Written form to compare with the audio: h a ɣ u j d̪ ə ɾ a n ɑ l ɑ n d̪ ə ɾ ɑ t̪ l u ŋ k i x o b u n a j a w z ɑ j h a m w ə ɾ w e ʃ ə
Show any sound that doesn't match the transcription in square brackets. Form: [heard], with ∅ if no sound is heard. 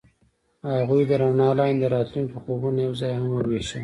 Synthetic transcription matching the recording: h a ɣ u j d̪ ə ɾ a n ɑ l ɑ n d̪ ə ɾ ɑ t̪ l u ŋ k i x o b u n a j a w z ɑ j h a m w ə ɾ w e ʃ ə